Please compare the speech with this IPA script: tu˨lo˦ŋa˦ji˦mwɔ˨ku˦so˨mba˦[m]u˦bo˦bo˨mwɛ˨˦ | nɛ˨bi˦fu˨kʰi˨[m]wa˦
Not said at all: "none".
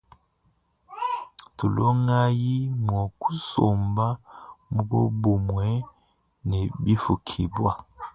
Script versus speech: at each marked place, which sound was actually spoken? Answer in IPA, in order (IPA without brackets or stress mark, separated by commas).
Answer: m, b